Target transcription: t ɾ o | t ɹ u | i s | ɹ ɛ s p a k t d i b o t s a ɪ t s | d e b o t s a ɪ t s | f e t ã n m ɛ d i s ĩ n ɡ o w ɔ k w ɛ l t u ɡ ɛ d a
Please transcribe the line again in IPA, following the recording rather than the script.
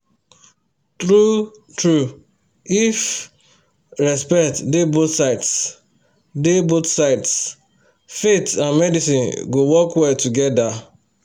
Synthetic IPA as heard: t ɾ u | t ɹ u | i f | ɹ ɛ s p ɛ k t d e b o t s a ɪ t s | d e b o t s a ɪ t s | f e t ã n m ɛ d i s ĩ n ɡ o w ɔ k w ɛ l t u ɡ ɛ d a